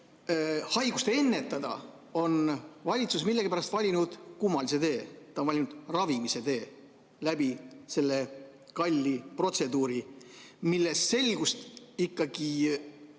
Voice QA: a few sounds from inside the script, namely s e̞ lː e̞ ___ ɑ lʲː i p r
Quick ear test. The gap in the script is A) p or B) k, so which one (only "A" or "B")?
B